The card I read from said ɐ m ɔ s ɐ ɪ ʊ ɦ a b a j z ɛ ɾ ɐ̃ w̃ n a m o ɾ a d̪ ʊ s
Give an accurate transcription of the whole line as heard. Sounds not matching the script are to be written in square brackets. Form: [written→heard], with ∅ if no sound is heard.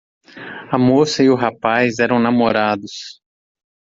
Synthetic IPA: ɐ m [ɔ→o] s ɐ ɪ ʊ ɦ a [b→p] a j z ɛ ɾ ɐ̃ w̃ n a m o ɾ a d̪ ʊ s